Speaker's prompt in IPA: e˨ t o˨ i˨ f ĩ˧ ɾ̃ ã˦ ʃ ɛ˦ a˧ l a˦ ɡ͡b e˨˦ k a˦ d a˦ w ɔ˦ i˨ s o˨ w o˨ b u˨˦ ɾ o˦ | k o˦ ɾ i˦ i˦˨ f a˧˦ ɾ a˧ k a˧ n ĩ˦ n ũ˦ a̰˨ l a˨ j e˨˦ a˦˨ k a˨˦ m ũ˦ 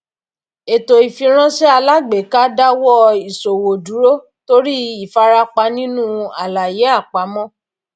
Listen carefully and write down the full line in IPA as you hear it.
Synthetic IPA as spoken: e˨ t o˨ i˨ f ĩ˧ ɾ̃ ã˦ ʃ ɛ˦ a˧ l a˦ ɡ͡b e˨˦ k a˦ d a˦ w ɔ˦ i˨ s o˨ w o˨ d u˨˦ ɾ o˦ | t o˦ ɾ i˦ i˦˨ f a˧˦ ɾ a˧ k͡p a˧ n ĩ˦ n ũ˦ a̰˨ l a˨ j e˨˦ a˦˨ k͡p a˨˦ m ɔ̃˦